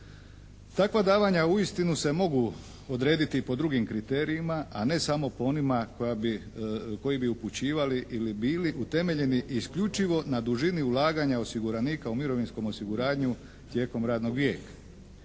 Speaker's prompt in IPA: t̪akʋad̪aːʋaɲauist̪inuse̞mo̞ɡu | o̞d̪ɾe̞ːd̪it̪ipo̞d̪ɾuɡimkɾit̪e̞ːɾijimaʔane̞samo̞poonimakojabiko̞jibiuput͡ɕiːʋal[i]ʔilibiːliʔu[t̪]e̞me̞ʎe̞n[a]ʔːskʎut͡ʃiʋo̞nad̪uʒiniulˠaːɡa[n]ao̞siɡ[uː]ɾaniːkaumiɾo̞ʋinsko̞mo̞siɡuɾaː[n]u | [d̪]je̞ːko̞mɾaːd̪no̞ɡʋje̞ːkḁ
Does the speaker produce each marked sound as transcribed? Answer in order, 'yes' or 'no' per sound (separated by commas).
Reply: yes, yes, no, no, no, no, no